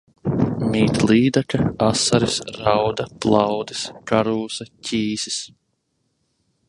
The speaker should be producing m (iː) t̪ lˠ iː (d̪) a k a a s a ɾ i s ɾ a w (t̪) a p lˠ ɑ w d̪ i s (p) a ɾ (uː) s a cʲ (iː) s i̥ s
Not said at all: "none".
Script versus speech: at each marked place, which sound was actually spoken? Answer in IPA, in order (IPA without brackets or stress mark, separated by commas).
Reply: iː, d̪, d̪, k, uː, iː